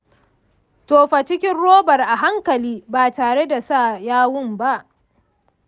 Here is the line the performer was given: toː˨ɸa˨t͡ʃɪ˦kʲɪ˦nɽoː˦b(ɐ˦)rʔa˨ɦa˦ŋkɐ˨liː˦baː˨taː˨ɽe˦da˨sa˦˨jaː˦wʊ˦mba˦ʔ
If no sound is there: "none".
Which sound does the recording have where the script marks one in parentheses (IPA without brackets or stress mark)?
ɐ˨